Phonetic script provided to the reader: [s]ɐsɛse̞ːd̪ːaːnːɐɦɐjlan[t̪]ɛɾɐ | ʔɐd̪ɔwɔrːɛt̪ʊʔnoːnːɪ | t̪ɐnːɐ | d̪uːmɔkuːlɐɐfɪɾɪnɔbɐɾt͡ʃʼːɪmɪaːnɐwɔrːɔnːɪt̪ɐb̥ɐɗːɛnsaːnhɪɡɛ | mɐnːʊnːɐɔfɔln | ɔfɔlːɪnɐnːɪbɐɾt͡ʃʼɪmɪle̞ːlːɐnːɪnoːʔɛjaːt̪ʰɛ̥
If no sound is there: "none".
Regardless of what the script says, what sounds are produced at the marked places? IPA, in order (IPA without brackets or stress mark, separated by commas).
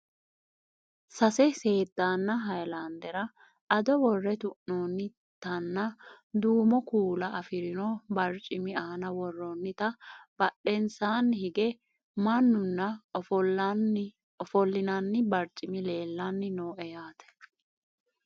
s, d̪